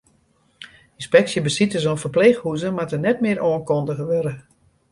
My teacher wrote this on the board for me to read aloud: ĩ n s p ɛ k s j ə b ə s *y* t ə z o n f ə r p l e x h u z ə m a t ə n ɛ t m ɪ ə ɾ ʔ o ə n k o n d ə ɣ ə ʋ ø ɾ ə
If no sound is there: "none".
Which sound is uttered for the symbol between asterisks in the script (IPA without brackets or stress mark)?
i